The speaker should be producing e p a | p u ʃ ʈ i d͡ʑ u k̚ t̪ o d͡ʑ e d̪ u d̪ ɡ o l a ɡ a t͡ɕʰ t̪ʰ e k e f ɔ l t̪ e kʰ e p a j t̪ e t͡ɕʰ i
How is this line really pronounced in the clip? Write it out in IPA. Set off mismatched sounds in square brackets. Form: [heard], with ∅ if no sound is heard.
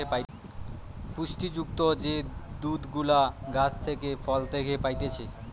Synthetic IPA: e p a | p u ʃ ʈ i d͡ʑ u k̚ t̪ o d͡ʑ e d̪ u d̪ ɡ [u] l a ɡ a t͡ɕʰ t̪ʰ e k e f ɔ l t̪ e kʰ e p a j t̪ e t͡ɕʰ [e]